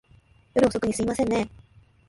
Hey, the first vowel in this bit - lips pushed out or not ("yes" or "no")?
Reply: yes